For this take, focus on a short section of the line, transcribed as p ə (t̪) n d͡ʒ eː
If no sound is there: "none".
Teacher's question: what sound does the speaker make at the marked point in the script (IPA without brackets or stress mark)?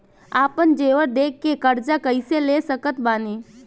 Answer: none